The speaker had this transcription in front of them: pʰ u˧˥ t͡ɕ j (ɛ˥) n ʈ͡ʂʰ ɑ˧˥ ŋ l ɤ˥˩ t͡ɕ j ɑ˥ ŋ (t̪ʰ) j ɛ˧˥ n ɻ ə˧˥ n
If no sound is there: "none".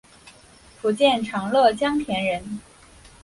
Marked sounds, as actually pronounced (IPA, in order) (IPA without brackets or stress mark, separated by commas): ɛ˥˩, t̪ʰ